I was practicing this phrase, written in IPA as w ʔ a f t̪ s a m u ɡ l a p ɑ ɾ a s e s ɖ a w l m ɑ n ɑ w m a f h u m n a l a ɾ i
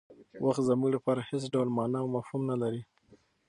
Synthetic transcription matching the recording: w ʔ a x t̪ z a m u ɡ l a p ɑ ɾ a h e s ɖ a w l m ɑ n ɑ w m a f h u m n a l a ɾ i